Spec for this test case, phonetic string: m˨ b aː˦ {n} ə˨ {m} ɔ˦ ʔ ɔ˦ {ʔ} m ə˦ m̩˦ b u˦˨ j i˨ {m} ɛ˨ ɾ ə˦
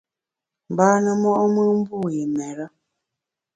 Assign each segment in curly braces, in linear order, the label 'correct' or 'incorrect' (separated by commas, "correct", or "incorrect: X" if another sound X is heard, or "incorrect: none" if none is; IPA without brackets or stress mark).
correct, correct, incorrect: none, correct